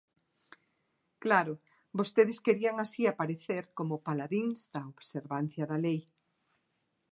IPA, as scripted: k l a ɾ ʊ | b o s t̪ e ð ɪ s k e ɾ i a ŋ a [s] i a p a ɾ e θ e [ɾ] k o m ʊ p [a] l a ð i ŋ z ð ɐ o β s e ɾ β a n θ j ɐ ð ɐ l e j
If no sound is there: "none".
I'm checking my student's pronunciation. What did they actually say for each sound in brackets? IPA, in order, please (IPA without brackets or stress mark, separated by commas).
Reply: s, ɾ, a